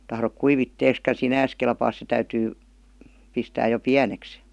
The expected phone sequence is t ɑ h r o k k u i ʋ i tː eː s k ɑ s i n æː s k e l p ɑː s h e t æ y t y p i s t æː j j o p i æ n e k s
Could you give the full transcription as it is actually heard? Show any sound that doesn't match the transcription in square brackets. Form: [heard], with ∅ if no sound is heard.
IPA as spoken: t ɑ h r o k k u i ʋ i tː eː s k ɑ s i n æː s k e l p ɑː s [s] e t æ y t [yː] p i s t æː j j o p i æ n e k s